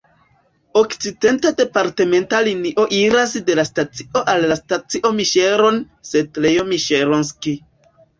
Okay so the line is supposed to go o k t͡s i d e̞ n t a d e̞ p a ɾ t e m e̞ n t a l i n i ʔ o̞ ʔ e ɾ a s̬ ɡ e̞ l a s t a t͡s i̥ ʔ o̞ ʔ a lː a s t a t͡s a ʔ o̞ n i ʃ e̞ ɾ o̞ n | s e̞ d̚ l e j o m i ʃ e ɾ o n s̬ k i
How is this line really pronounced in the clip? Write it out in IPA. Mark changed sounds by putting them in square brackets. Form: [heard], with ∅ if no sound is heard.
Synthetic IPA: o k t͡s i d e̞ n t a d e̞ p a ɾ t e m e̞ n t a l i n i ʔ o̞ ʔ [i] ɾ a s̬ [d] e̞ l a s t a t͡s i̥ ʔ o̞ ʔ a lː a s t a t͡s [i] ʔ o̞ [m] i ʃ e̞ ɾ o̞ n | s e̞ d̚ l e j o m i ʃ e ɾ o n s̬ k i

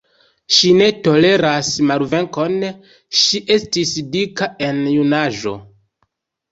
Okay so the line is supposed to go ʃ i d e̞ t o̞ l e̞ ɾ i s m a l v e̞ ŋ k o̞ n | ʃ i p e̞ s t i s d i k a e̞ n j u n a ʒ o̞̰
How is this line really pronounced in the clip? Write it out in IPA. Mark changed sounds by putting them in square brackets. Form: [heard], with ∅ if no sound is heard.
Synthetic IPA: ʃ i [n] e̞ t o̞ l e̞ ɾ [a] s m a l v e̞ ŋ k o̞ n | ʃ i [ʔ] e̞ s t i s d i k a e̞ n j u n a ʒ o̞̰

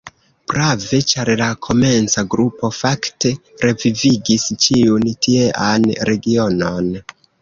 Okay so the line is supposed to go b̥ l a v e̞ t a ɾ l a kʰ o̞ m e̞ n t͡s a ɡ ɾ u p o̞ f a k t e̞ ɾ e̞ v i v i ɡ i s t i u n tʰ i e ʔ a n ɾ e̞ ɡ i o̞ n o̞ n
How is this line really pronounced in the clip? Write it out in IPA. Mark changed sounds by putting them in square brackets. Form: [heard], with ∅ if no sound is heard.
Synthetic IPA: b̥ [ɾ] a v e̞ [t͡ʃ] a ɾ l a kʰ o̞ m e̞ n t͡s a ɡ ɾ u p o̞ f a k t e̞ ɾ e̞ v i v i ɡ i s [t͡ʃ] i u n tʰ i e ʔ a n ɾ e̞ ɡ i o̞ n o̞ n

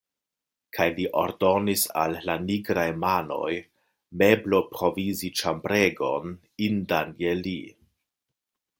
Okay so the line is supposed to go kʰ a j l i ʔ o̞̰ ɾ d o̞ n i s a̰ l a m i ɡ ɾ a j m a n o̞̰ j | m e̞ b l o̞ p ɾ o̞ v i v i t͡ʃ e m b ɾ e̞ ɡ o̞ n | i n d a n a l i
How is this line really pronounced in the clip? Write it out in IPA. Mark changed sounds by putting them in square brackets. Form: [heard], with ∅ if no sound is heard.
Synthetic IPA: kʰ a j l i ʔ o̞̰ ɾ d o̞ n i s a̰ [lː] a [n] i ɡ ɾ a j m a n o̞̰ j | m e̞ b l o̞ p ɾ o̞ v i [z] i t͡ʃ [a] m b ɾ e̞ ɡ o̞ n | i n d a n [e] l i

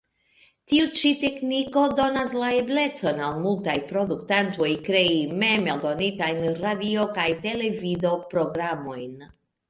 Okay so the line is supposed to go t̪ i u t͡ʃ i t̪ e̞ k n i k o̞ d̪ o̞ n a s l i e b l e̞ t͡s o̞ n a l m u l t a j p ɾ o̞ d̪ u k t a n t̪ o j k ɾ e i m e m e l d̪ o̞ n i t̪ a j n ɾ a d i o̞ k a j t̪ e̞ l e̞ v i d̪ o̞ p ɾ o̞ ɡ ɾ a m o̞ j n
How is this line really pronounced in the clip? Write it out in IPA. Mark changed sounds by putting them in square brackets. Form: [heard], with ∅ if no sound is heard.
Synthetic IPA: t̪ i u t͡ʃ i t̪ e̞ k n i k o̞ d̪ o̞ n a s l [a] e b l e̞ t͡s o̞ n a l m u l t a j p ɾ o̞ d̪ u k t a n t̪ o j k ɾ e i m e m e l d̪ o̞ n i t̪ a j n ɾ a d i o̞ k a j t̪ e̞ l e̞ v i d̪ o̞ p ɾ o̞ ɡ ɾ a m o̞ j n

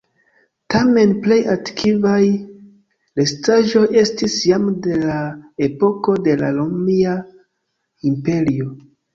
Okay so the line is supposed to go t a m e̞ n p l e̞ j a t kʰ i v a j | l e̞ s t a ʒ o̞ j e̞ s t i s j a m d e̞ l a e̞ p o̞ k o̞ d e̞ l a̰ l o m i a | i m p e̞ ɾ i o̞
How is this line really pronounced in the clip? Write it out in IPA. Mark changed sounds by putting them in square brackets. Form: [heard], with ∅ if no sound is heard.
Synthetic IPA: t a m e̞ n p l e̞ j a t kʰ i v a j | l e̞ s t a ʒ o̞ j e̞ s t i s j a m d e̞ l a e̞ p o̞ k o̞ d e̞ l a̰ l o m i a | i m p e̞ ɾ i o̞

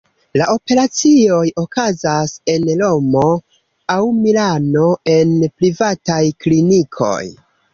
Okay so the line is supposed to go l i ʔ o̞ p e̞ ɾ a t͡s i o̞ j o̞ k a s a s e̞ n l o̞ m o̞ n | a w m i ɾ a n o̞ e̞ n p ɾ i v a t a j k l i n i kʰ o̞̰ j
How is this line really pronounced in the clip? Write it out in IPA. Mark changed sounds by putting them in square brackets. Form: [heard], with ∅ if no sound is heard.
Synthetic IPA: l [a] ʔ o̞ p e̞ ɾ a t͡s i o̞ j o̞ k a [z] a s e̞ n l o̞ m o̞ [∅] | a w m i [l] a n o̞ e̞ n p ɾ i v a t a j k l i n i kʰ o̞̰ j

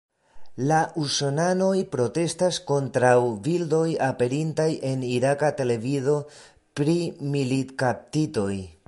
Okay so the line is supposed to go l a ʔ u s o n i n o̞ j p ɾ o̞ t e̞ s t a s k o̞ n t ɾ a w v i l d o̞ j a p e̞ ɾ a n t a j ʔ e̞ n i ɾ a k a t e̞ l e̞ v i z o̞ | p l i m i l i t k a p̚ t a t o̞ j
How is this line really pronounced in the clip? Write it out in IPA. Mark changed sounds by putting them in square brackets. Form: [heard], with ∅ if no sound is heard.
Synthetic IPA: l a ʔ u s o n [a] n o̞ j p ɾ o̞ t e̞ s t a s k o̞ n t ɾ a w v i l d o̞ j a p e̞ ɾ [i] n t a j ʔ e̞ n i ɾ a k a t e̞ l e̞ v i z o̞ | p [ɾ] i m i l i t k a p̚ t [i] t o̞ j

